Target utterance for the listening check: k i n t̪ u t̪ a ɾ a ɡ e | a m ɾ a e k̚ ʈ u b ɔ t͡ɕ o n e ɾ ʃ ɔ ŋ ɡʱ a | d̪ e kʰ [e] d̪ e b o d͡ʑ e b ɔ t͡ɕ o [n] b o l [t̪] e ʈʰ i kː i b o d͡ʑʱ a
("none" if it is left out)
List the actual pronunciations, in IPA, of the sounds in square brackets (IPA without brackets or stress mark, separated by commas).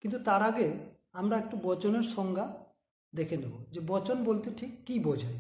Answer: e, n, t̪